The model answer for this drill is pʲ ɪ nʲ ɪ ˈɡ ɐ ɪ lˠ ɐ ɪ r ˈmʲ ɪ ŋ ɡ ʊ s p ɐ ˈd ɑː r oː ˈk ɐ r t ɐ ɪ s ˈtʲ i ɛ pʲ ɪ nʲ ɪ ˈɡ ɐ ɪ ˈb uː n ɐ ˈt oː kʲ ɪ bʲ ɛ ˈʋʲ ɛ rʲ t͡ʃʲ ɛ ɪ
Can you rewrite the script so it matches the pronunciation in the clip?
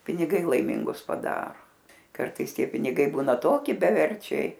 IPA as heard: pʲ ɪ nʲ ɪ ˈɡ ɐ ɪ lˠ ɐ ɪ ˈmʲ ɪ ŋ ɡ ʊ s p ɐ ˈd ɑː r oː ˈk ɐ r t ɐ ɪ s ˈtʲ i ɛ pʲ ɪ nʲ ɪ ˈɡ ɐ ɪ ˈb uː n ɐ ˈt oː kʲ ɪ bʲ ɛ ˈʋʲ ɛ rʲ t͡ʃʲ ɛ ɪ